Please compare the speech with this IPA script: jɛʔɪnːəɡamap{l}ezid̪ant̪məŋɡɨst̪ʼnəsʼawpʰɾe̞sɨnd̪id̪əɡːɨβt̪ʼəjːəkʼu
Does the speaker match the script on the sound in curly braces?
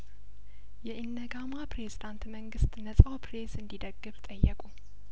no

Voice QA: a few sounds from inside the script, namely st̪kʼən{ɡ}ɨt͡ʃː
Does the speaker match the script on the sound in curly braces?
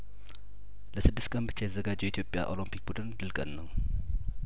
no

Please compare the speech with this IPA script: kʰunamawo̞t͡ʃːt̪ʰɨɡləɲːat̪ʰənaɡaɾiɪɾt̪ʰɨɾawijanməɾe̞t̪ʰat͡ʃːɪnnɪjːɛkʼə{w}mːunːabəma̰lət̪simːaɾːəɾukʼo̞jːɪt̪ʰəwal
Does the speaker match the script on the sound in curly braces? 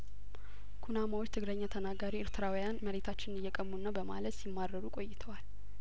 no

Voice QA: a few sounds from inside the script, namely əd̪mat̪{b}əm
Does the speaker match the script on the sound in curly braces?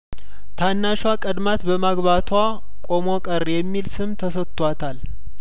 yes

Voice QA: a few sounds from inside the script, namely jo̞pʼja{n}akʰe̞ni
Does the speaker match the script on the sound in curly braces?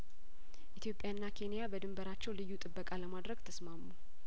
no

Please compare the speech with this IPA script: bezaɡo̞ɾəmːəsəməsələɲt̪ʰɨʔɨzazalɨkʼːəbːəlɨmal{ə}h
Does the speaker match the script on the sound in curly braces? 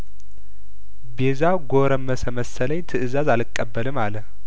yes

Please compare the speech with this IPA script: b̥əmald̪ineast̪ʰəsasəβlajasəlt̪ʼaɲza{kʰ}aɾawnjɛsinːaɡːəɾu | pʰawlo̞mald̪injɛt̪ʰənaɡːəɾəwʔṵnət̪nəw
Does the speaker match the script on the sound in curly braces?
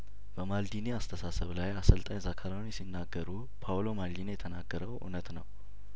yes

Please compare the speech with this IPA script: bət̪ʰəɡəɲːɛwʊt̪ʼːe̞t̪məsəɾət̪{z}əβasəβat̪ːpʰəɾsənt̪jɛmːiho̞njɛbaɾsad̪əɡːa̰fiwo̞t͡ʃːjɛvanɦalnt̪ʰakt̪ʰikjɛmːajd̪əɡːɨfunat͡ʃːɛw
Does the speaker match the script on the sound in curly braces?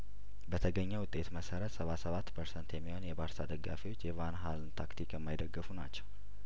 no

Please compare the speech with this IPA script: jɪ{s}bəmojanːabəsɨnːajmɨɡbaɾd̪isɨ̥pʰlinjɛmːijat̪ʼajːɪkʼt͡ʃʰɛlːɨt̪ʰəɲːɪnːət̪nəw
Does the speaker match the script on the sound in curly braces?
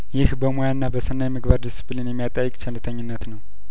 no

